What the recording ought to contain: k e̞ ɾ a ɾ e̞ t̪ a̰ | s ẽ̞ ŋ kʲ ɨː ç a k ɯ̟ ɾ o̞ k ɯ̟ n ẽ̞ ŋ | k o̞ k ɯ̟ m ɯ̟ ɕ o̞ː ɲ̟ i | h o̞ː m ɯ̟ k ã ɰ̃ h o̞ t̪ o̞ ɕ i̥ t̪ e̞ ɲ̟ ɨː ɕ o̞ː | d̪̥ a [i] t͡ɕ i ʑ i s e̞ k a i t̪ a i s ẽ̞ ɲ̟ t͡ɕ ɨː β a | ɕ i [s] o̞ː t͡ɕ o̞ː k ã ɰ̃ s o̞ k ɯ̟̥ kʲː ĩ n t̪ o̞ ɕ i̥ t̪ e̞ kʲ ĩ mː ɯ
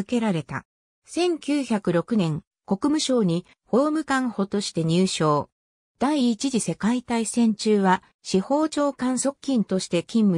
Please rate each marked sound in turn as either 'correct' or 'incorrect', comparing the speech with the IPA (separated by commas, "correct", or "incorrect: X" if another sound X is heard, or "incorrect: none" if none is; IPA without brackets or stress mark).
incorrect: iː, incorrect: h